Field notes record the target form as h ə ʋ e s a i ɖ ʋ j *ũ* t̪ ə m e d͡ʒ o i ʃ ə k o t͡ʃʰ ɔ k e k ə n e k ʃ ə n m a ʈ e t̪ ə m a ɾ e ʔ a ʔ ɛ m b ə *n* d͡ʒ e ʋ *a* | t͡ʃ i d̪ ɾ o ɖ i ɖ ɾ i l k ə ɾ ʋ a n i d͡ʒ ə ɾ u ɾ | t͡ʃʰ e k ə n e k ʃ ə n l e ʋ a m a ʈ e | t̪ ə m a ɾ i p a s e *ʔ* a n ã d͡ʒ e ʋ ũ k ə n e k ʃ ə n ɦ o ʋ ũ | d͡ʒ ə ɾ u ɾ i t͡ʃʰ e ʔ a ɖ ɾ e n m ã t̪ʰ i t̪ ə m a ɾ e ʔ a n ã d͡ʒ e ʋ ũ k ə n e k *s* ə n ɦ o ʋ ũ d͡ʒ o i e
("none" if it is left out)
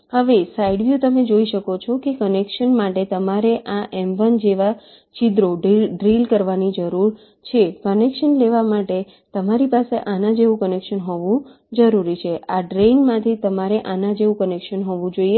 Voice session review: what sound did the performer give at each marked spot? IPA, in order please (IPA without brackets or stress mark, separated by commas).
u, n, a, ʔ, ʃ